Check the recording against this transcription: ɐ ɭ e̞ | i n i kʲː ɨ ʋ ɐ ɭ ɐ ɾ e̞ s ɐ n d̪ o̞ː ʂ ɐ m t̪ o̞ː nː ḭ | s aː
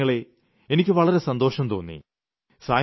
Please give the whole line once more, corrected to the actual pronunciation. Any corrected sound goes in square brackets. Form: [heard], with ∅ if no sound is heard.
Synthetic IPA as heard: ɐ ɭ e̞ | [e] n i kʲː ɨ ʋ ɐ ɭ ɐ ɾ e̞ s ɐ n d̪ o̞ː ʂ ɐ m t̪ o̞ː nː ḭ | s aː